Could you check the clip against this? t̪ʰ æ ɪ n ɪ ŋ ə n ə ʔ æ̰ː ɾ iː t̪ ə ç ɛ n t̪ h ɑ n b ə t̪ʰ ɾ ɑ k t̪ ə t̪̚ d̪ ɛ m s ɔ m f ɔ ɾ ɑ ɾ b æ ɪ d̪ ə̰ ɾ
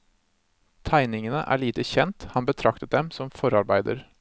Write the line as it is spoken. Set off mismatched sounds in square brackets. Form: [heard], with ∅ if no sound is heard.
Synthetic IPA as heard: t̪ʰ æ ɪ n ɪ ŋ ə n ə ʔ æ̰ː [ɭ] iː t̪ ə ç ɛ n t̪ h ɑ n b ə t̪ʰ ɾ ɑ k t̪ ə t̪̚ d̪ ɛ m s ɔ m f ɔ ɾ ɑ ɾ b æ ɪ d̪ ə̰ ɾ